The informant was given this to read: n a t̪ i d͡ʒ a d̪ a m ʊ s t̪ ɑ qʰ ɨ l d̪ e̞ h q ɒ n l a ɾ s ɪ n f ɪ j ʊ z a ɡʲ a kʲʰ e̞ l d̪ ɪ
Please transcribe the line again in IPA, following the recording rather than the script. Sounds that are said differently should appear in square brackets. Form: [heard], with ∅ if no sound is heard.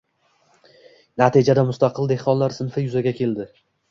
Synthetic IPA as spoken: n a t̪ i d͡ʒ a d̪ a m ʊ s t̪ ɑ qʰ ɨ l d̪ e̞ h q ɒ n l a ɾ s ɪ n f ɪ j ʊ z a ɡʲ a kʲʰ e̞ l d̪ ɪ